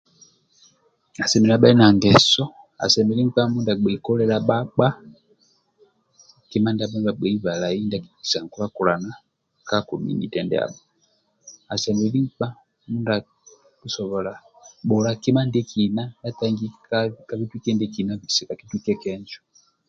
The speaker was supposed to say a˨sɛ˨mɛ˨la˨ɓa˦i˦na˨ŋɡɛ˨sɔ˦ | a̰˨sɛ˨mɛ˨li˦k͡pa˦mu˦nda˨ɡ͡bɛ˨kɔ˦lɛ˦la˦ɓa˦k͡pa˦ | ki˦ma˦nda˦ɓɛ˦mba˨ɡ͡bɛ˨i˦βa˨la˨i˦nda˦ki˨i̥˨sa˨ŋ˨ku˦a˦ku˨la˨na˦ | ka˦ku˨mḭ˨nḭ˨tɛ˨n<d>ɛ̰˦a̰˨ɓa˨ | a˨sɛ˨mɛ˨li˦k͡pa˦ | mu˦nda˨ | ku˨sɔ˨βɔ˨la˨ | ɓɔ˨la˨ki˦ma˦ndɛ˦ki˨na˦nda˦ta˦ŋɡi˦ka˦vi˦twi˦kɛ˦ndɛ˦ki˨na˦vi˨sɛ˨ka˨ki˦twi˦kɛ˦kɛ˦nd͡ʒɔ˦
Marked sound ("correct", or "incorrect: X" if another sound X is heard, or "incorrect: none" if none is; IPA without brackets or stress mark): correct